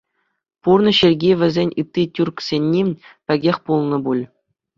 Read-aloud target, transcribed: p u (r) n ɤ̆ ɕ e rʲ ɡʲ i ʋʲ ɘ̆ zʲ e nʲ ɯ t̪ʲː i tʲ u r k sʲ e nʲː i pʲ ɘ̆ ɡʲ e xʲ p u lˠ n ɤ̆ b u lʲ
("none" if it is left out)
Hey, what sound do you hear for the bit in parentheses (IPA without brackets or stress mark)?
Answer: r